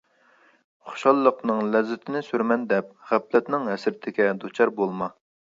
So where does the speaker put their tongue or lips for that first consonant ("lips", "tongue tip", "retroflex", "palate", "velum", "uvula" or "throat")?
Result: uvula